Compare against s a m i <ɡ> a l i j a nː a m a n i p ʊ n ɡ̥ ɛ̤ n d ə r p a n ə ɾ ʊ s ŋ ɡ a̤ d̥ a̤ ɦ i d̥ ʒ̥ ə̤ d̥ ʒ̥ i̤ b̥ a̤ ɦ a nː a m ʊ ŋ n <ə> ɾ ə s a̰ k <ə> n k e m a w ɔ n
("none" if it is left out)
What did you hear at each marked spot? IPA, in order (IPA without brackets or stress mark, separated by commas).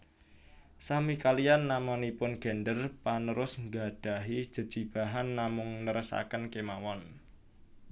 k, ə, ə